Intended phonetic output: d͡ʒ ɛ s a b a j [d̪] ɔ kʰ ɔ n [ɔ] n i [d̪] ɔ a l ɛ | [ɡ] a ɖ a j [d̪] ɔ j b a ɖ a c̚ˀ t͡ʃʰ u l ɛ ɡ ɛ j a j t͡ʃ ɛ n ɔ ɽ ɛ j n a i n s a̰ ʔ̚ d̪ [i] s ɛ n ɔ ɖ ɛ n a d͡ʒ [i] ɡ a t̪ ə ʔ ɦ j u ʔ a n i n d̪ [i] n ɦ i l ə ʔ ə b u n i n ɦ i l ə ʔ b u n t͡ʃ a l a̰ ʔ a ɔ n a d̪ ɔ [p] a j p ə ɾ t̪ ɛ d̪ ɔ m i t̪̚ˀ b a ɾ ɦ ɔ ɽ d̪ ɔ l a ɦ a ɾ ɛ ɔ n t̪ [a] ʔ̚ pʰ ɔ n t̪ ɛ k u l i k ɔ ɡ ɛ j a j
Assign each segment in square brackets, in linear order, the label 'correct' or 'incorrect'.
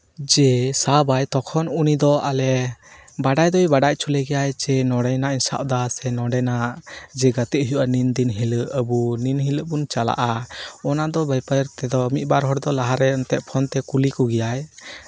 incorrect: t̪, incorrect: u, correct, incorrect: b, correct, incorrect: a, incorrect: ɛ, correct, incorrect: b, incorrect: ɛ

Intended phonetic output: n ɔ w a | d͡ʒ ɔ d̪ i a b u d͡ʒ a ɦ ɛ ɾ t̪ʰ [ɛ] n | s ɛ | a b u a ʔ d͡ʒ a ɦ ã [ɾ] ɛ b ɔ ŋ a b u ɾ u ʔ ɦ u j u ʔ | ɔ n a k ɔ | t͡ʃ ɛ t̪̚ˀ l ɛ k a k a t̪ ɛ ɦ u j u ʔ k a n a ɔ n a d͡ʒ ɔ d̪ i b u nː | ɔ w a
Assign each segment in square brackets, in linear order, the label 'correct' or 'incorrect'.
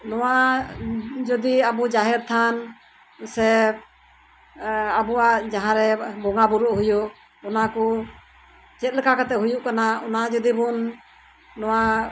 incorrect: a, correct

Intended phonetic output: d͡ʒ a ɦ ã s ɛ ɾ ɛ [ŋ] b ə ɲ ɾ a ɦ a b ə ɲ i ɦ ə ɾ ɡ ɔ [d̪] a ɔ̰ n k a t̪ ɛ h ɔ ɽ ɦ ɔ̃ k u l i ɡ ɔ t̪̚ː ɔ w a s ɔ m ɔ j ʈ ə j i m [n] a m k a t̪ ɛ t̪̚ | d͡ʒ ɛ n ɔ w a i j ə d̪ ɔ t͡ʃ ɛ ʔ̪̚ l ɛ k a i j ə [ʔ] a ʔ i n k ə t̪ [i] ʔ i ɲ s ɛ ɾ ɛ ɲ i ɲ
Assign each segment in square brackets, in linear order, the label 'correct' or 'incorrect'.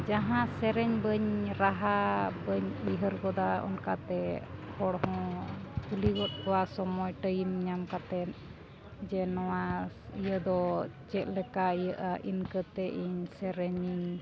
incorrect: ɲ, correct, incorrect: ɲ, correct, incorrect: ɛ

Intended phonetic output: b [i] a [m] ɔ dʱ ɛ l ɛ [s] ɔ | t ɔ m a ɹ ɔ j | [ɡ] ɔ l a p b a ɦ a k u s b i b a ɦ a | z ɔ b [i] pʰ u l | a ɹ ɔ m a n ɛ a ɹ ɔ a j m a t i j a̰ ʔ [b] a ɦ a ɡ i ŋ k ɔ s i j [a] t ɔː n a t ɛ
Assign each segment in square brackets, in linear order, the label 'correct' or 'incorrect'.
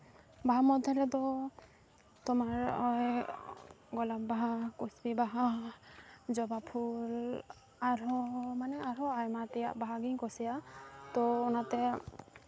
incorrect: a, correct, incorrect: t, correct, incorrect: a, correct, correct

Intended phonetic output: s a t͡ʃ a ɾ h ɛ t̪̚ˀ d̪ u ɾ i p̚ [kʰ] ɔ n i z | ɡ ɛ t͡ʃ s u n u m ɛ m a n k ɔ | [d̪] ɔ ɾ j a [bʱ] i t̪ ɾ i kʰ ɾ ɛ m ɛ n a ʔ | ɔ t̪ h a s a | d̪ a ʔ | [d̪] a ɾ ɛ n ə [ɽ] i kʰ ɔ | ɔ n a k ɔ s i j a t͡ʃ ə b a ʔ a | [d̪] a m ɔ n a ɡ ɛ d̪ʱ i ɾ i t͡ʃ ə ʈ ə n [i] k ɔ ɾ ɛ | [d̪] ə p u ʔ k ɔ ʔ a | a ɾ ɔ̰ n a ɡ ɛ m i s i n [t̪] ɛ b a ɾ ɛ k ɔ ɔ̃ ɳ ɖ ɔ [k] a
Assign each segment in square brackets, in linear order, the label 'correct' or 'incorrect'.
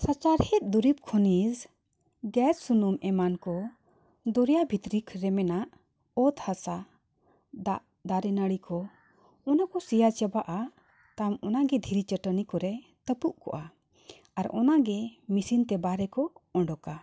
correct, correct, correct, correct, correct, incorrect: t̪, correct, incorrect: t̪, correct, correct

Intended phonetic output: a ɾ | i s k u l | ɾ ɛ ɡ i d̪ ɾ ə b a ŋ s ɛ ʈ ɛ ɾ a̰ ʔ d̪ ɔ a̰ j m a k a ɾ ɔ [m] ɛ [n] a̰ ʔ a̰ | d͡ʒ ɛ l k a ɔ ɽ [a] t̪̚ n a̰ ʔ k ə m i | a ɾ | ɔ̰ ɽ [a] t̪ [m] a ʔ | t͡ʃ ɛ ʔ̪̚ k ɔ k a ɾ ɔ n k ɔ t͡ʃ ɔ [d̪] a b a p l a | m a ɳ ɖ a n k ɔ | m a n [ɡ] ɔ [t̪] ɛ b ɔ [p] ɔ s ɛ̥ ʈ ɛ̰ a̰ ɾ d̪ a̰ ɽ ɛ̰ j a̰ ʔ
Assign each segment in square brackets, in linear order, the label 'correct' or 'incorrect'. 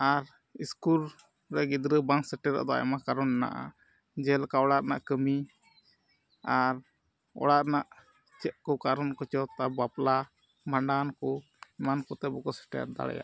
incorrect: n, correct, correct, correct, incorrect: n, incorrect: t̪, incorrect: k, correct, incorrect: k

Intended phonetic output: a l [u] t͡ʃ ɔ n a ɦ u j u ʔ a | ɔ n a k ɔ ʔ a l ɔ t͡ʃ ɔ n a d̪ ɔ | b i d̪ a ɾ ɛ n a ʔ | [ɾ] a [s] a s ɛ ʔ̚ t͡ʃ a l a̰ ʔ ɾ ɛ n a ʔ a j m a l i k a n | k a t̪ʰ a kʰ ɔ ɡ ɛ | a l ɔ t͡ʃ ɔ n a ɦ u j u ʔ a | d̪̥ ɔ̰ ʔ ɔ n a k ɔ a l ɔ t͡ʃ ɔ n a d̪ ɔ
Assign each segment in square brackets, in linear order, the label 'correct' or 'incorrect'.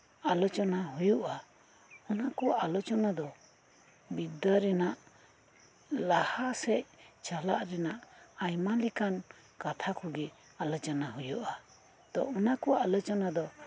incorrect: ɔ, incorrect: l, incorrect: h

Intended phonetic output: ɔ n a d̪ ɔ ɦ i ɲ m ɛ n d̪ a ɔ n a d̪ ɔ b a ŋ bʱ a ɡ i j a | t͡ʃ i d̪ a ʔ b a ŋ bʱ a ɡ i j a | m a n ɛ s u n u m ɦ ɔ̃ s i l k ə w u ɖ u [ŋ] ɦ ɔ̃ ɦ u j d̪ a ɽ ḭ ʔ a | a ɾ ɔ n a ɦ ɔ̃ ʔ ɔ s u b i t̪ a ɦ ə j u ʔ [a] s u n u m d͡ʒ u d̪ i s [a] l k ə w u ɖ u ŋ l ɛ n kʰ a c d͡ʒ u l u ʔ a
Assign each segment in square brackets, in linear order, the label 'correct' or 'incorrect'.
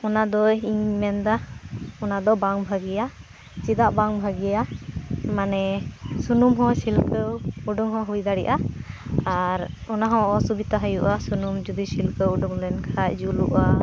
correct, correct, incorrect: i

